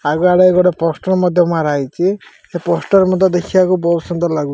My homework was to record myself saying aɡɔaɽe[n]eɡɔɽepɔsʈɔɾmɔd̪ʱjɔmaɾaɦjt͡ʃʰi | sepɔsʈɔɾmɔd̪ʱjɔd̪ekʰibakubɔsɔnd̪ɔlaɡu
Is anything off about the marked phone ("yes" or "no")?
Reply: yes